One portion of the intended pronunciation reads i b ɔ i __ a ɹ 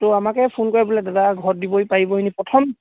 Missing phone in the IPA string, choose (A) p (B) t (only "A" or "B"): A